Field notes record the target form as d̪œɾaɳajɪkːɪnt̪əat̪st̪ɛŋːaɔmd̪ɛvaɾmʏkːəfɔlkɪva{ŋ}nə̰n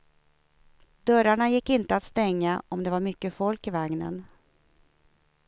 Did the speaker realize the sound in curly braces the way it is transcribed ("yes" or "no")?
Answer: yes